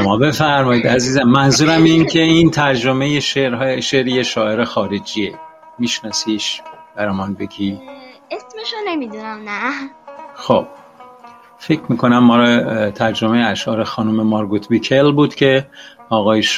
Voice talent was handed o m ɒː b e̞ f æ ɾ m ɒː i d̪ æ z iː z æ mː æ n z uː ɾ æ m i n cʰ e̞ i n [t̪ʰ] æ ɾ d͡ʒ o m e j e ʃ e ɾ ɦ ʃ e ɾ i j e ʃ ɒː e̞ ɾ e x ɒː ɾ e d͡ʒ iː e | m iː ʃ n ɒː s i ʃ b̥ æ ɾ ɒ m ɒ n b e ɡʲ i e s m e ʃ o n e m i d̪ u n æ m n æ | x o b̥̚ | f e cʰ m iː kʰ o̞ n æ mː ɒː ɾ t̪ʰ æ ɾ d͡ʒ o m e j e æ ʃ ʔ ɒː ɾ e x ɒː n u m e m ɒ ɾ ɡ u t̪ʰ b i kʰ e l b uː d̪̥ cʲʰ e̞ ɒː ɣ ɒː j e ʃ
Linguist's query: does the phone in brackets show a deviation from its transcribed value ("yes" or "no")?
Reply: no